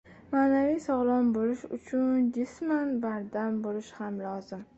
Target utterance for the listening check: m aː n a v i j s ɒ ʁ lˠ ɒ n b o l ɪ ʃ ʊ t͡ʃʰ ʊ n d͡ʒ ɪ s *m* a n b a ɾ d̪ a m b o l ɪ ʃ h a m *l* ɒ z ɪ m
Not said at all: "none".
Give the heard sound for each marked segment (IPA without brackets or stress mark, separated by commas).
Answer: m, l